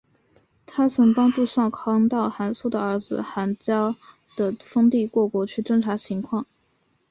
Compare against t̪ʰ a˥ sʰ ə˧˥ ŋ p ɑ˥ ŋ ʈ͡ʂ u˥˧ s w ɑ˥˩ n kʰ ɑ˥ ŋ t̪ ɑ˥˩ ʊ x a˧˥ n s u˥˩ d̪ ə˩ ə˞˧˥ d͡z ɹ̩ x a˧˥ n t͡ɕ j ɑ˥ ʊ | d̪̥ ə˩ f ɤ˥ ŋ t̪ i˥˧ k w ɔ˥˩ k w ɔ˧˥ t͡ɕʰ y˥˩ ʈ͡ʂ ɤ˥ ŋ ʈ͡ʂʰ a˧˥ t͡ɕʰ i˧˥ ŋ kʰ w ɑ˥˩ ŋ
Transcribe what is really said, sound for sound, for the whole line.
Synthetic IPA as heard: t̪ʰ a˥ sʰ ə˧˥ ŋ p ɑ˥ ŋ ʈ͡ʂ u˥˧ s w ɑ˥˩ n kʰ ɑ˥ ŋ t̪ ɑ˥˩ ʊ x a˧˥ n s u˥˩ d̪ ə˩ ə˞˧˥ d͡z ɹ̩ x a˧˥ n t͡ɕ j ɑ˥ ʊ | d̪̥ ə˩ f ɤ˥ ŋ t̪ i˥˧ k w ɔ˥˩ k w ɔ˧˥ t͡ɕʰ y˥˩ ʈ͡ʂ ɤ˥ ŋ ʈ͡ʂʰ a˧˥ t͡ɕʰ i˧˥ ŋ kʰ w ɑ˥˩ ŋ

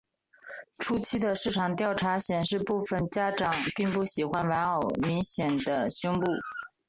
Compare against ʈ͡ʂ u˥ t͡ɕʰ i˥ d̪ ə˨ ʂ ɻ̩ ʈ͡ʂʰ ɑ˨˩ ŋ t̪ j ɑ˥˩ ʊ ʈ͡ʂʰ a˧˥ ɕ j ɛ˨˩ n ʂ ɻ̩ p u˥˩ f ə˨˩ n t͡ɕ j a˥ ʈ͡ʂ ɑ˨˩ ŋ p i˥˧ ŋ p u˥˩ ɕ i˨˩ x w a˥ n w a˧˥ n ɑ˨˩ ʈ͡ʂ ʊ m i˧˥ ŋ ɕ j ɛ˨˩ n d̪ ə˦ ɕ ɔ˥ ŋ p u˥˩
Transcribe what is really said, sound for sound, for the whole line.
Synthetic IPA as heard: ʈ͡ʂʰ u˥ t͡ɕʰ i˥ d̪ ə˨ ʂ ɻ̩ ʈ͡ʂʰ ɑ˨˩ ŋ t̪ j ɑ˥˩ ʊ ʈ͡ʂʰ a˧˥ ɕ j ɛ˨˩ n ʂ ɻ̩ p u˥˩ f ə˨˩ n t͡ɕ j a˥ ʈ͡ʂ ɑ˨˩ ŋ p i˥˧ ŋ p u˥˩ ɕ i˨˩ x w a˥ n w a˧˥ n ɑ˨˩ ʊ m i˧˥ ŋ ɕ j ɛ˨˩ n d̪ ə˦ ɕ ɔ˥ ŋ p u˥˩

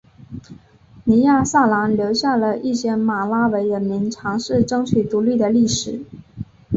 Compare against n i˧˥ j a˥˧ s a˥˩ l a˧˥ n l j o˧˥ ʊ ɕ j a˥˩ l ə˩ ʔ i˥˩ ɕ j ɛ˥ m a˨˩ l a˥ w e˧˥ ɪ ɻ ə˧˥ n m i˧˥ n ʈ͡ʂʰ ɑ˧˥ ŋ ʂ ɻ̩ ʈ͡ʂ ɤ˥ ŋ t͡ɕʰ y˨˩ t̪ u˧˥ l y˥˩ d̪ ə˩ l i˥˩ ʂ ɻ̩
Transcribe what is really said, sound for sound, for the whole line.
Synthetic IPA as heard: n i˧˥ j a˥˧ s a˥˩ l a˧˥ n l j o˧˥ ʊ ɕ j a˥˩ l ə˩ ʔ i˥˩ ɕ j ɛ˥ m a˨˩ l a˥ w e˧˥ ɪ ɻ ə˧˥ n m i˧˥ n ʈ͡ʂʰ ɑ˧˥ ŋ ʂ ɻ̩ ʈ͡ʂ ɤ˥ ŋ t͡ɕʰ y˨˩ t̪ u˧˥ l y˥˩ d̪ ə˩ l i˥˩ ʂ ɻ̩

